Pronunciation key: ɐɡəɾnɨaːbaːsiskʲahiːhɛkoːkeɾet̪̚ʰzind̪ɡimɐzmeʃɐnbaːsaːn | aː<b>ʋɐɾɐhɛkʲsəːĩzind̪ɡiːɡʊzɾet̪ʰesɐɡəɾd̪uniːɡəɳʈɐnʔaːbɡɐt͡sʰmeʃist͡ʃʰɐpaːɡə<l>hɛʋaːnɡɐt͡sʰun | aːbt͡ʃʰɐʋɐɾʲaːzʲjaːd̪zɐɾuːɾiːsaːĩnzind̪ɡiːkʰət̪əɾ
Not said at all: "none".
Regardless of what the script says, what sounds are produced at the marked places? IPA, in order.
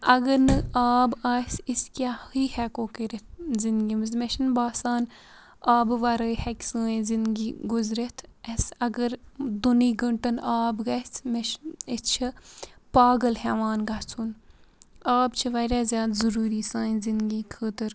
b, l

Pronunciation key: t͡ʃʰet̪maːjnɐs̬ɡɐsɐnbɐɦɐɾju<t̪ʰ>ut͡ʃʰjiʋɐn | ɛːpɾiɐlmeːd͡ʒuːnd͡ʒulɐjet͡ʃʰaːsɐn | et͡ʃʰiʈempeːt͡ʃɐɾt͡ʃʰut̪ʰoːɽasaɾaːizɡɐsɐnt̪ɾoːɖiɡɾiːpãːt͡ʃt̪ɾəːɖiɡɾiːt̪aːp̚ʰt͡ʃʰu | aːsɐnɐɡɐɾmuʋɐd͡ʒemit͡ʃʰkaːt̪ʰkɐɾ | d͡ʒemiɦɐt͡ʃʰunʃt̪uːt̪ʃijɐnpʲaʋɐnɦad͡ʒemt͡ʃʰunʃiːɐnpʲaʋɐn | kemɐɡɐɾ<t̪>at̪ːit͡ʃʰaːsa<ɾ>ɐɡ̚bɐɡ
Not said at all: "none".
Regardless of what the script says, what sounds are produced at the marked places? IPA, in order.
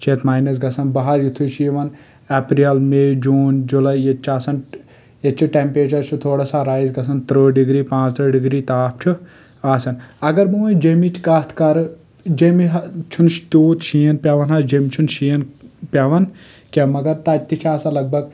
t̪ʰ, t̪, l

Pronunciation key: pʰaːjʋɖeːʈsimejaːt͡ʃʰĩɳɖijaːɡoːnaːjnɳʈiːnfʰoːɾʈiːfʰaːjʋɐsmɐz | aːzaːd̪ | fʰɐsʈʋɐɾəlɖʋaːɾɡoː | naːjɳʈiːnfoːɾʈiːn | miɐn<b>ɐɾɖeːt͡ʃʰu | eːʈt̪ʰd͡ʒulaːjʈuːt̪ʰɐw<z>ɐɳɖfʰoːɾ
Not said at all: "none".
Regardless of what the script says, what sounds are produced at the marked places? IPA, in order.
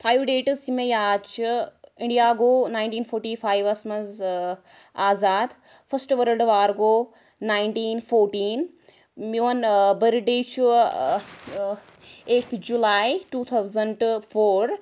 b, z

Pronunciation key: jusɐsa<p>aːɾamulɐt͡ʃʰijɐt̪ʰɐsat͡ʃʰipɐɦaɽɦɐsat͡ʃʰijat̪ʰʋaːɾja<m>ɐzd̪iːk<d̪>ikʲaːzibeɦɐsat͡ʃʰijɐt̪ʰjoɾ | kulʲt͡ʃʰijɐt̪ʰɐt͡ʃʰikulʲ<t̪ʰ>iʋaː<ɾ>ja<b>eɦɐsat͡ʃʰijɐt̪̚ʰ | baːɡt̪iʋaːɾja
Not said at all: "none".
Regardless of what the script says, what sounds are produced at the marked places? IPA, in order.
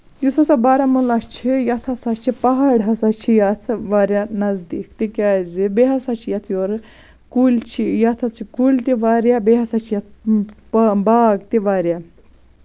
b, n, t̪, t̪, ɾ, b

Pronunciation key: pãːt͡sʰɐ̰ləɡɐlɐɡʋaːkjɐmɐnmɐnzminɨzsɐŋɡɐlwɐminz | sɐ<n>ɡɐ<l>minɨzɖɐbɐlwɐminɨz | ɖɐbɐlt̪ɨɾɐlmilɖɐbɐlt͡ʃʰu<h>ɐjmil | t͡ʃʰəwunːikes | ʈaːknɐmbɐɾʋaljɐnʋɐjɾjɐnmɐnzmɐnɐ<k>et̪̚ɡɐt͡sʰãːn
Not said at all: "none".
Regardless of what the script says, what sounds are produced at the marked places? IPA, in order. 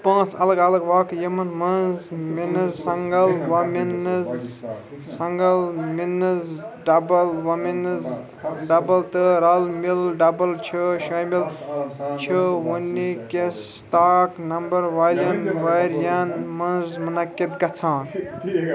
ŋ, l, ʃ, k

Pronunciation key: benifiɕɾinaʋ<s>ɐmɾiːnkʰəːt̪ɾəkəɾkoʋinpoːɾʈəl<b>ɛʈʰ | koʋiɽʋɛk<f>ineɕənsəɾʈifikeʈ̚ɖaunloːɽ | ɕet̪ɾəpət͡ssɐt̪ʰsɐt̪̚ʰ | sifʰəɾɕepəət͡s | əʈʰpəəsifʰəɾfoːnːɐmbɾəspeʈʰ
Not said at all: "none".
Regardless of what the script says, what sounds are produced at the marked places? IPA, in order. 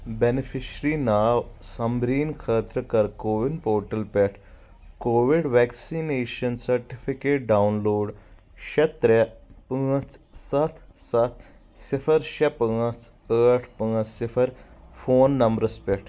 s, p, s

